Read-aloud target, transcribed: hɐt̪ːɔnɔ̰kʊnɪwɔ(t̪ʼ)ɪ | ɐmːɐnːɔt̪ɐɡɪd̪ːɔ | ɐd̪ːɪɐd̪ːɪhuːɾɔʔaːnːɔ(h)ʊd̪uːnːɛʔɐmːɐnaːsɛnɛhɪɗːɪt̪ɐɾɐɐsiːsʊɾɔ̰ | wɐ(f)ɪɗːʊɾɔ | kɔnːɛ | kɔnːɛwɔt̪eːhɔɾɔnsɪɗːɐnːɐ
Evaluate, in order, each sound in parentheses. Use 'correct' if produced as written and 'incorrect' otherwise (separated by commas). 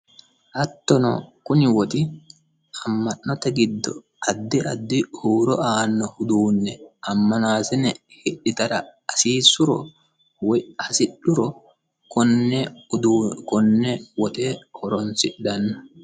incorrect, correct, incorrect